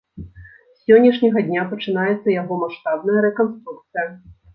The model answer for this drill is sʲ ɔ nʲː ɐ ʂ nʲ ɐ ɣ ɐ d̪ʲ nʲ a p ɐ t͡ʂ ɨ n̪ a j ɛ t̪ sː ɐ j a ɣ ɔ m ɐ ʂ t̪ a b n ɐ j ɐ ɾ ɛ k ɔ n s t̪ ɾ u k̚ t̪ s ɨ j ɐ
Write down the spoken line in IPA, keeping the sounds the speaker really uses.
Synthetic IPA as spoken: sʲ ɔ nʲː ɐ ʂ nʲ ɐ ɣ ɐ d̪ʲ nʲ a p ɐ t͡ʂ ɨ n̪ a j ɛ t̪ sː ɐ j a ɣ ɔ m a ʂ t̪ a b n ɐ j ɐ ɾ ɛ k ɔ n s t̪ ɾ u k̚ t̪ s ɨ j ɐ